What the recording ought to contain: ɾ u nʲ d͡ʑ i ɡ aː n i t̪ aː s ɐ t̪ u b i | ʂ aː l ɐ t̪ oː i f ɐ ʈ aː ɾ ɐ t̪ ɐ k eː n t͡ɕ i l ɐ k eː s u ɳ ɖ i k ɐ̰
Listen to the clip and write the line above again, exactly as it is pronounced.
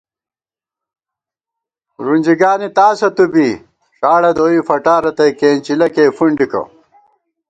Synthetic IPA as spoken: ɾ u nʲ d͡ʑ i ɡ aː n i t̪ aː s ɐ t̪ u b i | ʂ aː ɽ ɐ d̪ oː i f ɐ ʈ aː ɾ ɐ t̪ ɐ k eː n t͡ɕ i l ɐ k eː f u ɳ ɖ i k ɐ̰